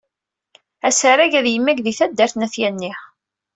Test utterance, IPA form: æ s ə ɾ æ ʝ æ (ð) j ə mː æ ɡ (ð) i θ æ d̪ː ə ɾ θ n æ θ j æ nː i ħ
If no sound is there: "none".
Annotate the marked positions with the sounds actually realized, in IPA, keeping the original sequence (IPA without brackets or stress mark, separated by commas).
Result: ð, ð